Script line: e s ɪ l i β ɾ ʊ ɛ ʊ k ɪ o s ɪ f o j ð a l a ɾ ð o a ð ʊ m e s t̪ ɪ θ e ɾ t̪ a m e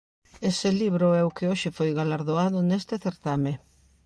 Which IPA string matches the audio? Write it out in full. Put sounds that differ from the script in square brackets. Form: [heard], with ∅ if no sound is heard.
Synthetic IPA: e s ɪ l i β ɾ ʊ ɛ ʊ k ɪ o [ʃ] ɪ f o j [ɣ] a l a ɾ ð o a ð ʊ [n] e s t̪ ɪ θ e ɾ t̪ a m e